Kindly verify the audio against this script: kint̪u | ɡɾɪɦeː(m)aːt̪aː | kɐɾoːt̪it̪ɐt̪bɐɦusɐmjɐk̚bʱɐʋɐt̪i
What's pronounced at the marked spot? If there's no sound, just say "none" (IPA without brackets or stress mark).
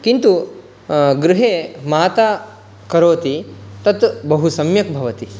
m